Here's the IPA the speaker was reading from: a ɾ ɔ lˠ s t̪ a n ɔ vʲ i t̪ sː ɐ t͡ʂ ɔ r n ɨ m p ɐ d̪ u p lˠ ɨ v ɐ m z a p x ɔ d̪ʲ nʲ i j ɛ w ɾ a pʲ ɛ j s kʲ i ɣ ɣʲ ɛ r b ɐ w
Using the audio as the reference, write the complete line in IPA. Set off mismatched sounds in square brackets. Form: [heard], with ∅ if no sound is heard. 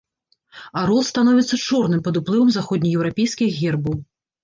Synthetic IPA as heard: a ɾ ɔ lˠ s t̪ a n ɔ vʲ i t̪ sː ɐ t͡ʂ ɔ r n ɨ m p ɐ d̪ u p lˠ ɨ v ɐ m z a [∅] x ɔ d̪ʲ nʲ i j ɛ w ɾ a pʲ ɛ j s kʲ i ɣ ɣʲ ɛ r b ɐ w